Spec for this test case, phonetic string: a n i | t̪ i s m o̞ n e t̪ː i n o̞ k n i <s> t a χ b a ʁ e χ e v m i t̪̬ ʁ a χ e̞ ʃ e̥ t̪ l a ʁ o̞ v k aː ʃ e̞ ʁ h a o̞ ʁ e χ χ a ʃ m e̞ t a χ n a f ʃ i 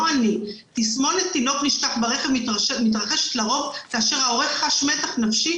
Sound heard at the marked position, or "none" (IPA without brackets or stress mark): ʃ